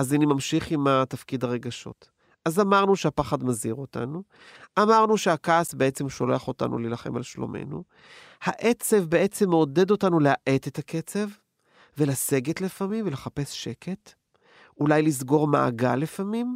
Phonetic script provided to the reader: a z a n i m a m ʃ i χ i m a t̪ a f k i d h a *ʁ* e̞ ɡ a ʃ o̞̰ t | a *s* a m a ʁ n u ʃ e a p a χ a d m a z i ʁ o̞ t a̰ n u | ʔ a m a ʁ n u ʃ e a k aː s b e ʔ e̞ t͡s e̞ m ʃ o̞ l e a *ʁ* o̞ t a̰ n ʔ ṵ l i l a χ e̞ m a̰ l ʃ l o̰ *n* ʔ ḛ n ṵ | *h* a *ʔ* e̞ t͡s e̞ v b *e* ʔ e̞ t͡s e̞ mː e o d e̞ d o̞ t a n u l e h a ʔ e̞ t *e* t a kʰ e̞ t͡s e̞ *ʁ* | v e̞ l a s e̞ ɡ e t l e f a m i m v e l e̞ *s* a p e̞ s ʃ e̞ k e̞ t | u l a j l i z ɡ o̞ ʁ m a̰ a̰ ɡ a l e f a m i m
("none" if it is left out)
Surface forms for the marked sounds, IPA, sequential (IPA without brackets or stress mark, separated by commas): ʁ, z, χ, m, h, ʔ, e, e, v, χ